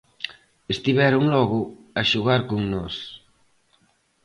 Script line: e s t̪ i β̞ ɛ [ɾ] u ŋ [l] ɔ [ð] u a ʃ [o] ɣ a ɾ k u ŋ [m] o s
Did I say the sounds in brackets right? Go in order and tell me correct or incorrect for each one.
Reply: correct, correct, incorrect: ɣ, incorrect: u, incorrect: n

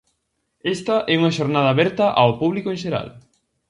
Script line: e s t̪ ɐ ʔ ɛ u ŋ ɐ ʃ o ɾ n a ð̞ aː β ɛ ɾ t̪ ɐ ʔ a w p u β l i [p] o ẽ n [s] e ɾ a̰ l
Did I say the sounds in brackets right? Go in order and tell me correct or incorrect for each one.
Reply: incorrect: k, incorrect: ʃ

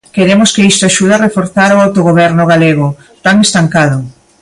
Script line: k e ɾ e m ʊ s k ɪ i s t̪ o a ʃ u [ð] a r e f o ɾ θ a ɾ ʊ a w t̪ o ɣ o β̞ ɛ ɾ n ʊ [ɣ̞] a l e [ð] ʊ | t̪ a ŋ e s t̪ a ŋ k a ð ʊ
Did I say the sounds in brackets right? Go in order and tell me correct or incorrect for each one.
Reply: correct, correct, incorrect: ɣ

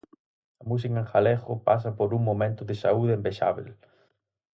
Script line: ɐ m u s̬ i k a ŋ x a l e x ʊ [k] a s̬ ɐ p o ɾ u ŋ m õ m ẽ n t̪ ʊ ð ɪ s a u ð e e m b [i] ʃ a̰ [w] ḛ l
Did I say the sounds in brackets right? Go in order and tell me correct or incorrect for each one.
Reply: incorrect: p, incorrect: e, incorrect: β

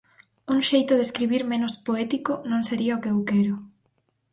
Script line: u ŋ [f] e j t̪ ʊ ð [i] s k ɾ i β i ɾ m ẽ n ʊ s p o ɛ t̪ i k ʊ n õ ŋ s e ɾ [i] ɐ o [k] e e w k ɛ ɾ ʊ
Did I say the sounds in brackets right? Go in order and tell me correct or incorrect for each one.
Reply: incorrect: ʃ, incorrect: e, correct, correct

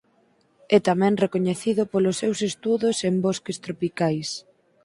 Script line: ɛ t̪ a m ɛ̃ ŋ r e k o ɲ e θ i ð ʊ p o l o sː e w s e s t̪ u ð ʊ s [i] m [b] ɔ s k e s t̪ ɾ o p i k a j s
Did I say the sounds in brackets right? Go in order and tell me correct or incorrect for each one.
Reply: incorrect: e, correct

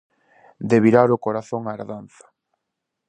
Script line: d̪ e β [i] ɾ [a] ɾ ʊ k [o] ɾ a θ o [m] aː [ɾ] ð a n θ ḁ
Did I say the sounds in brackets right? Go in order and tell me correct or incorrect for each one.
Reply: correct, correct, correct, incorrect: ŋ, correct

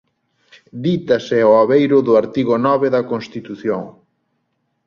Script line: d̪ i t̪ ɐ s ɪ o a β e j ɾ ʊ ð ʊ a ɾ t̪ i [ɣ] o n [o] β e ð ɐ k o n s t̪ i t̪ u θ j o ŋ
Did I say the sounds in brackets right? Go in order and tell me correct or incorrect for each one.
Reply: correct, incorrect: ɔ

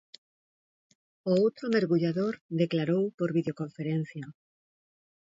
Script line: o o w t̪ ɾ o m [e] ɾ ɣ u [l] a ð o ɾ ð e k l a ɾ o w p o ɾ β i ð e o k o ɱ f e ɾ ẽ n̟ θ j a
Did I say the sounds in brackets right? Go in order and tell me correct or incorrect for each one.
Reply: correct, incorrect: ʎ

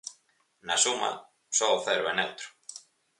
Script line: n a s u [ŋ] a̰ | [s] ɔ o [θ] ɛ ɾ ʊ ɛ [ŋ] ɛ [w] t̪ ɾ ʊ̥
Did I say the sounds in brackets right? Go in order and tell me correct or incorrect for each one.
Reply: incorrect: m, correct, correct, incorrect: n, correct

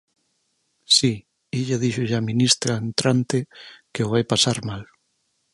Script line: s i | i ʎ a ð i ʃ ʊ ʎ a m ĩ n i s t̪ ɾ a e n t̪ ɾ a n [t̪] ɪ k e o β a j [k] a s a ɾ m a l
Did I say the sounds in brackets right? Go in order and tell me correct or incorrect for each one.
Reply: correct, incorrect: p

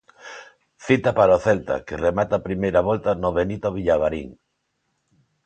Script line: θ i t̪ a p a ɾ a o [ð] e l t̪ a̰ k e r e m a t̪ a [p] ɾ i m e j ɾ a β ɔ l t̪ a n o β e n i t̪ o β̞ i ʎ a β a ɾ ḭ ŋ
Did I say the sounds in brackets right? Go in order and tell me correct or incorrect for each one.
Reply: incorrect: θ, correct

